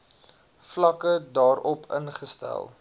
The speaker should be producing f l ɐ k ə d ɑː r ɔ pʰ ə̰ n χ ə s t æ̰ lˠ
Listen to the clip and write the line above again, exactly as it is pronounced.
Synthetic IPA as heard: f l ɐ k ə d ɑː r ɔ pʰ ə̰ n χ ə s t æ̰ lˠ